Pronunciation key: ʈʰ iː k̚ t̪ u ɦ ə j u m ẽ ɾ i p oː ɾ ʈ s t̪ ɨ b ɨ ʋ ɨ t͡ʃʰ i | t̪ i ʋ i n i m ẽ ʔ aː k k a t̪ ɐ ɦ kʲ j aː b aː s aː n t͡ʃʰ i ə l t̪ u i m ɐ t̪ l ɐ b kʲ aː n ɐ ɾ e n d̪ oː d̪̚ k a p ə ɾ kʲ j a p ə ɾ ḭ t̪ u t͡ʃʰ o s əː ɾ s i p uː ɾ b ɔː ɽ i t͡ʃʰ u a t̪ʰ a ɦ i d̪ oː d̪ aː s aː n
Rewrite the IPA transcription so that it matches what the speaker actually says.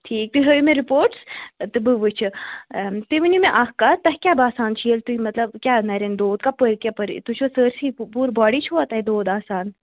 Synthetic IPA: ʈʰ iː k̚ t̪ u ɦ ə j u m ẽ ɾ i p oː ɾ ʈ s t̪ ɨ b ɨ ʋ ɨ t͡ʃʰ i | t̪ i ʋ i n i m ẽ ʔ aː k k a t̪ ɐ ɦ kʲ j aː b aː s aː n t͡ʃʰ i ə l t̪ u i m ɐ t̪ l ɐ b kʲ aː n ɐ ɾ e n d̪ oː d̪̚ k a p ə ɾ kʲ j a p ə ɾ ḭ t̪ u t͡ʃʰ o s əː ɾ s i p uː ɾ b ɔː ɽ i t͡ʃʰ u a t̪ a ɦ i d̪ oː d̪ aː s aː n

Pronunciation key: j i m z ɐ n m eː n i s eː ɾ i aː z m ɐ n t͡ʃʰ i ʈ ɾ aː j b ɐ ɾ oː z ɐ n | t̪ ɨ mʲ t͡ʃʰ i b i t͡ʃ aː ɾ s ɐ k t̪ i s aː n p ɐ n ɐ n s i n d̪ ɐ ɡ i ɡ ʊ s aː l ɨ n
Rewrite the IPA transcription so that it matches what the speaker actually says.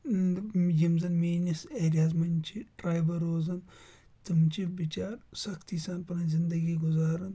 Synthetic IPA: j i m z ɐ n m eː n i s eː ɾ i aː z m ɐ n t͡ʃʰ i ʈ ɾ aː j b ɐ ɾ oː z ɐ n | t̪ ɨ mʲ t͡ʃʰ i b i t͡ʃ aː ɾ s ɐ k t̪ i s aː n p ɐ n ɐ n z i n d̪ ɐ ɡ i ɡ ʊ z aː ɾ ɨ n

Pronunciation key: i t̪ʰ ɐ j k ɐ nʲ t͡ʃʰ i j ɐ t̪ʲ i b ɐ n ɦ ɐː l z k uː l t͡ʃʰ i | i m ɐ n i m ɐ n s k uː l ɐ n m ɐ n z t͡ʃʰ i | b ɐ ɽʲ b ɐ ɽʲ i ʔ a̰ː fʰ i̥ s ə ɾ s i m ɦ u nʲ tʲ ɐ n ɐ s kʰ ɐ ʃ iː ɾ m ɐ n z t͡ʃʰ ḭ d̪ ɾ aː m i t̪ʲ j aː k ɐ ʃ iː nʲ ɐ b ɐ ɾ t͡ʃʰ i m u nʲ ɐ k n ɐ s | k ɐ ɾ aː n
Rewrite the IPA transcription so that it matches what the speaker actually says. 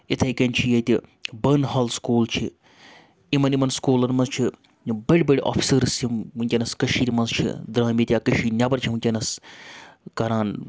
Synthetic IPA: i t̪ʰ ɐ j k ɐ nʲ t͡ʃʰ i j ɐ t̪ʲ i b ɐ n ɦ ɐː l s k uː l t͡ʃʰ i | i m ɐ n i m ɐ n s k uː l ɐ n m ɐ n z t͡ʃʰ i | b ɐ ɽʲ b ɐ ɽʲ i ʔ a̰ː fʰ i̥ s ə ɾ s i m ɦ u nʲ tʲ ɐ n ɐ s k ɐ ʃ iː ɾ m ɐ n z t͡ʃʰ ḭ d̪ ɾ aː m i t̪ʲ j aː k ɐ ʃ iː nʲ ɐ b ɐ ɾ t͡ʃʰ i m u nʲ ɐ n ɐ s | k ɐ ɾ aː n

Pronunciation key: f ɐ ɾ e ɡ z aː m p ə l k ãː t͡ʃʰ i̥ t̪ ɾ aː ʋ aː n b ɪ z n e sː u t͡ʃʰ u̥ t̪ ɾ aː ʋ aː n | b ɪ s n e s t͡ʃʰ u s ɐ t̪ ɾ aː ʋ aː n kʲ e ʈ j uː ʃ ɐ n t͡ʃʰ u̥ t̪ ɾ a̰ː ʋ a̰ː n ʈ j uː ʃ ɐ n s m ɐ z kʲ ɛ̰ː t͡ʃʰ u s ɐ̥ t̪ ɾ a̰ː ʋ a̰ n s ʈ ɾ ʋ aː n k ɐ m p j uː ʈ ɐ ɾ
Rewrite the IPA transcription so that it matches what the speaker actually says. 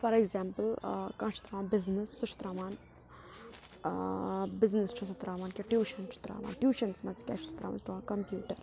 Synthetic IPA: f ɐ ɾ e ɡ z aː m p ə l k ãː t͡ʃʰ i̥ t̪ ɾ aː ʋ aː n b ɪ z n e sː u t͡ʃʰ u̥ t̪ ɾ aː ʋ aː n | b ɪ z n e s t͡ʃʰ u s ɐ t̪ ɾ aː ʋ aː n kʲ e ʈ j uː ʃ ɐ n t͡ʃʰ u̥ t̪ ɾ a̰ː ʋ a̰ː n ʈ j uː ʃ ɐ n s m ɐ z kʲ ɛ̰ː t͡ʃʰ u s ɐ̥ t̪ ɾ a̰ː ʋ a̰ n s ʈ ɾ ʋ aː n k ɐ m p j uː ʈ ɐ ɾ

